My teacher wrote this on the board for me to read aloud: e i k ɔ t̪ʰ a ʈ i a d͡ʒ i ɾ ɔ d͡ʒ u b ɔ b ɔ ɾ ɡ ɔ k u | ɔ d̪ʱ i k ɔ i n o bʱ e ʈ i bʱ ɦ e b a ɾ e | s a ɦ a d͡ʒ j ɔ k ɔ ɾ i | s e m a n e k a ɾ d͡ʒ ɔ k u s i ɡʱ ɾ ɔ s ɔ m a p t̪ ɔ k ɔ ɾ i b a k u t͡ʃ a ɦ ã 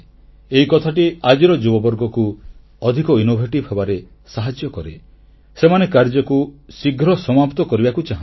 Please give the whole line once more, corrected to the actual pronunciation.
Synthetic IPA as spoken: e i k ɔ t̪ʰ a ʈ i a d͡ʒ i ɾ ɔ d͡ʒ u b ɔ b ɔ ɾ ɡ ɔ k u | ɔ d̪ʱ i k ɔ i n o bʱ e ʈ i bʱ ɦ e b a ɾ e | s a ɦ a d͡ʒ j ɔ k ɔ ɾ e | s e m a n e k a ɾ d͡ʒ ɔ k u s i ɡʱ ɾ ɔ s ɔ m a p t̪ ɔ k ɔ ɾ i b a k u t͡ʃ a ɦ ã